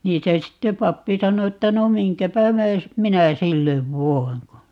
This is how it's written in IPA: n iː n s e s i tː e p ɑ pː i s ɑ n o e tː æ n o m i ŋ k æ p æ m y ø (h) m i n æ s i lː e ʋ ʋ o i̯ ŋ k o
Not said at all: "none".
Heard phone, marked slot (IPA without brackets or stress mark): s